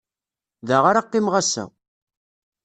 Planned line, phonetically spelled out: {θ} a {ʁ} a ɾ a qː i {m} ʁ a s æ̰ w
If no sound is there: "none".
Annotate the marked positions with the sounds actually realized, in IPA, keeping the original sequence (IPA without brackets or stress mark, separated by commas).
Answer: ð, ʁ, m